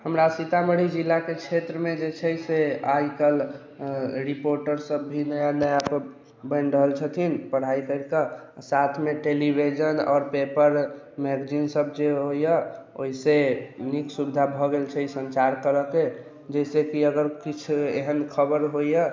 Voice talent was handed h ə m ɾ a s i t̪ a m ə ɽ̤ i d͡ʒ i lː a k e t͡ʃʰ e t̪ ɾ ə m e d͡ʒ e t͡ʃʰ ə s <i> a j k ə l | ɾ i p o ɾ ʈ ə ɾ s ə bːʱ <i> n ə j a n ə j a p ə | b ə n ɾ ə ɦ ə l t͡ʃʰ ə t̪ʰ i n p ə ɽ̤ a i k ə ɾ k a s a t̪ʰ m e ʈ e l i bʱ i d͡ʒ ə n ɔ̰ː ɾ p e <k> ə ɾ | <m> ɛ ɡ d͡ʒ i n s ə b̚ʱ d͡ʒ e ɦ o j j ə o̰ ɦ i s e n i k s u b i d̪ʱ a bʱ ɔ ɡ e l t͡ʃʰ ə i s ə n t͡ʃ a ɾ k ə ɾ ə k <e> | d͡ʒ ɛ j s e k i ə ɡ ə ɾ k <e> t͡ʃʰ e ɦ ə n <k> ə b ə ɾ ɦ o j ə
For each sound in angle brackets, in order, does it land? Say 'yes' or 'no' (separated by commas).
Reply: no, yes, no, yes, yes, no, no